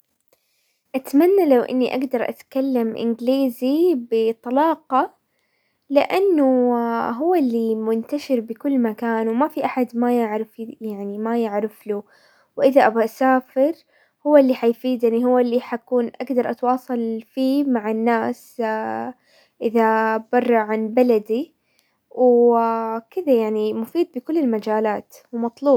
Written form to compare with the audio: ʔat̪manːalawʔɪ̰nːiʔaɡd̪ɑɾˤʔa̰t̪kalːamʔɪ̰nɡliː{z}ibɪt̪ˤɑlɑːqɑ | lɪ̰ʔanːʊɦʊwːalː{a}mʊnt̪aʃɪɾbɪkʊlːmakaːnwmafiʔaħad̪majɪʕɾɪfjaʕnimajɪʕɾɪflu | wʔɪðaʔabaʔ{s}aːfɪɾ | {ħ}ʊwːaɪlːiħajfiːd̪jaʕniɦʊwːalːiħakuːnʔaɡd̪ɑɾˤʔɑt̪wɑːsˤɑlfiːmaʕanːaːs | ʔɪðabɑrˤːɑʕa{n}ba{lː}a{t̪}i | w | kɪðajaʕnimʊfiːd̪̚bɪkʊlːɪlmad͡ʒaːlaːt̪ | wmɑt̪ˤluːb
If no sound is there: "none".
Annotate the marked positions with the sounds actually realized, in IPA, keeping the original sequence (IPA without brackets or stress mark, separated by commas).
z, i, s, h, n, l, d̪